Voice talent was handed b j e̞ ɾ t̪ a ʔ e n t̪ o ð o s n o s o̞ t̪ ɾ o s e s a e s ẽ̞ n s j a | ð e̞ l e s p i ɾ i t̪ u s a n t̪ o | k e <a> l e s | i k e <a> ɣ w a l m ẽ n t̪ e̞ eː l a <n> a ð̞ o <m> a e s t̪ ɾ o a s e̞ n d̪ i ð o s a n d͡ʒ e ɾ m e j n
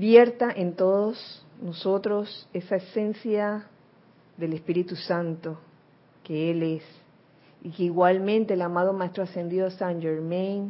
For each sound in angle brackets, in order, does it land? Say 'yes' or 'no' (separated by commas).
no, no, no, yes